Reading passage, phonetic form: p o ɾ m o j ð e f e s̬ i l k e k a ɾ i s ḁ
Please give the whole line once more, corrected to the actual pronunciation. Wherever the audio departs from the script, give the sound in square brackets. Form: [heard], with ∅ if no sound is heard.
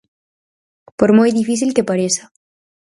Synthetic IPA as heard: p o ɾ m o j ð [i] f [i] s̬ i l k e [p] a ɾ [e] s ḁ